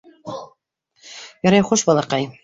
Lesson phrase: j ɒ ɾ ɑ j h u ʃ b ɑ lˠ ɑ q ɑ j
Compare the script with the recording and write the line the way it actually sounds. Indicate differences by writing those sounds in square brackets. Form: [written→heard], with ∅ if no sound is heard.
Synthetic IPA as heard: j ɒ ɾ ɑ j [h→χ] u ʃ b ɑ lˠ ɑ q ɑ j